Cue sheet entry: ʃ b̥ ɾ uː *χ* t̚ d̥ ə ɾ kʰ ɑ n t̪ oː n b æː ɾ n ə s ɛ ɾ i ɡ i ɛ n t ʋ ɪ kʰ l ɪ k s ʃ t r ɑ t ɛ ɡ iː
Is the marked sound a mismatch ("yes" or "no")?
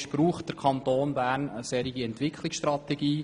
no